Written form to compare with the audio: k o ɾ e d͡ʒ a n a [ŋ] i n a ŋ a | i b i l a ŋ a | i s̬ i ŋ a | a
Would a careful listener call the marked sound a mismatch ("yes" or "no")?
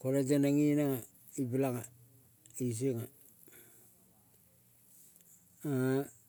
no